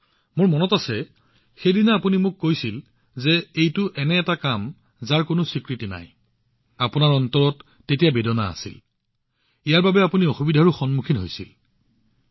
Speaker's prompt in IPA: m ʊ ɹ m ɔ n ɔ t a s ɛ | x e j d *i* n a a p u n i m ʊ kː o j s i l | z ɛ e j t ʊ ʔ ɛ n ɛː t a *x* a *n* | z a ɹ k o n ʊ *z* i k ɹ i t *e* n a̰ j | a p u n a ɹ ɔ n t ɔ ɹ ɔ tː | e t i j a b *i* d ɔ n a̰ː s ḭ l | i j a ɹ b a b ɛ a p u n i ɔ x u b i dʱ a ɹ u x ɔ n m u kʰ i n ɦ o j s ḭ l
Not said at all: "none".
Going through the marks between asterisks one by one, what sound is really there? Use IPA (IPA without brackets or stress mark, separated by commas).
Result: i, k, m, s, i, e